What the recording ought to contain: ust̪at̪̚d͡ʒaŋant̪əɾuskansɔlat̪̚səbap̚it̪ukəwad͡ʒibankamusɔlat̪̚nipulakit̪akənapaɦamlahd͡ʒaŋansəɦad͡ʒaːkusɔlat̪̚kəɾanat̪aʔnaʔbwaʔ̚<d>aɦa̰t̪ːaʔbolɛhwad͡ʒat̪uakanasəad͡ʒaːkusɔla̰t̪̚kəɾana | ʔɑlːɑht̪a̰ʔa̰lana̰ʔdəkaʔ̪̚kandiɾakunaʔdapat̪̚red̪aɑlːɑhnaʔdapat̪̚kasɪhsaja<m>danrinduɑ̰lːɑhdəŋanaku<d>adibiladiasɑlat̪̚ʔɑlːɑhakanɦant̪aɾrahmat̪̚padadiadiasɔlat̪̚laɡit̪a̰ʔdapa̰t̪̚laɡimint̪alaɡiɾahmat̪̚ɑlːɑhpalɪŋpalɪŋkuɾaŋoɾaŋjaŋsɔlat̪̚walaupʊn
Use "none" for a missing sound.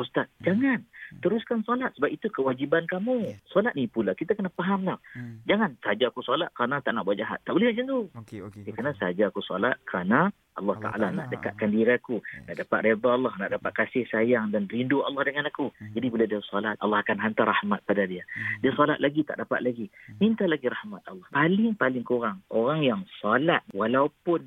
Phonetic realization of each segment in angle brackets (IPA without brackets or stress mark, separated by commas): d͡ʒ, ŋ, d͡ʒ